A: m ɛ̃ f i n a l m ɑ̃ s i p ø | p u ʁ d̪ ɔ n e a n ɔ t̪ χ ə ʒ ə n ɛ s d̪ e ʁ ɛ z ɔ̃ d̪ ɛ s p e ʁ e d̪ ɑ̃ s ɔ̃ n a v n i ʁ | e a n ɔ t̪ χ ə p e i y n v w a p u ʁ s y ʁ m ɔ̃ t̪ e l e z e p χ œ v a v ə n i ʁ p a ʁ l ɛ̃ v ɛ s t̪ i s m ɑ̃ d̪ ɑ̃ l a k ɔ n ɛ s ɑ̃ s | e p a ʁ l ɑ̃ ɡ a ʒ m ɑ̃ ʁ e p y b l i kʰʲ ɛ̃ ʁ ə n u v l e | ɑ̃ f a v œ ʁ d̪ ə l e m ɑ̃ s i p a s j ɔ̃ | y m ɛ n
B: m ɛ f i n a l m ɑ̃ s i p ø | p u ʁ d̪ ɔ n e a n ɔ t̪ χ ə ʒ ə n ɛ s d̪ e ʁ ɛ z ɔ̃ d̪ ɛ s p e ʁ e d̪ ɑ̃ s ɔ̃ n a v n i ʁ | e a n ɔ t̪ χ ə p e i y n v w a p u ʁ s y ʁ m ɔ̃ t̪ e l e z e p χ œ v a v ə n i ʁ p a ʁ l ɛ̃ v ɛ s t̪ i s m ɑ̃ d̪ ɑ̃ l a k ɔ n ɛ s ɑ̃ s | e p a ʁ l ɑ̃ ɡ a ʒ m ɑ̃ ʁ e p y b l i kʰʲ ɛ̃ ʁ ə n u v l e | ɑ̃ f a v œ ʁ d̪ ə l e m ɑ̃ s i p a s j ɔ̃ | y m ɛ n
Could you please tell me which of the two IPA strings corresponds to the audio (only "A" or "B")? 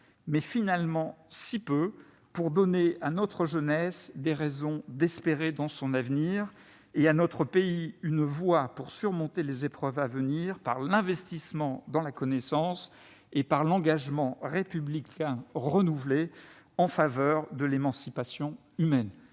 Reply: B